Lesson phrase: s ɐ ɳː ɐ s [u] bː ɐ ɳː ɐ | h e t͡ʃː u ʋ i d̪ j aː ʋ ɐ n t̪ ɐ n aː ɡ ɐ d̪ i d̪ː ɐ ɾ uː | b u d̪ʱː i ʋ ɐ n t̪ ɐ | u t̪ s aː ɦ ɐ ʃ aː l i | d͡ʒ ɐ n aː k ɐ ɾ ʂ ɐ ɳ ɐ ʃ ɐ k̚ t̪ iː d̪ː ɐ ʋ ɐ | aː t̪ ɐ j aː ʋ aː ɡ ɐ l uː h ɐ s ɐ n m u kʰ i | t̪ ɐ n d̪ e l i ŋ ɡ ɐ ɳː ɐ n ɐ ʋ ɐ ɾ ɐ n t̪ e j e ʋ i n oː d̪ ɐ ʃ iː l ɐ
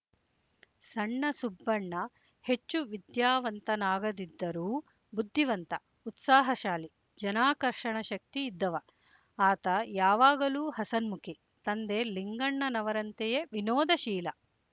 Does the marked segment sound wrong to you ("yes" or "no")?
no